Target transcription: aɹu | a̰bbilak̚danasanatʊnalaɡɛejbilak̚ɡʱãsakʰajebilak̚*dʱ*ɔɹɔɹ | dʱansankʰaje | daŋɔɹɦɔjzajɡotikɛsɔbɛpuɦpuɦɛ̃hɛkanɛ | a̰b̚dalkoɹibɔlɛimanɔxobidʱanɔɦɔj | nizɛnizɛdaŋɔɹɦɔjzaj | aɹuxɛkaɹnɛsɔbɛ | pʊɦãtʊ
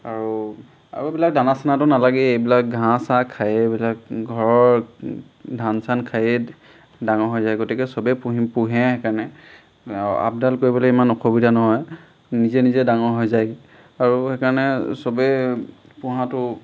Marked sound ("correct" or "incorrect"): incorrect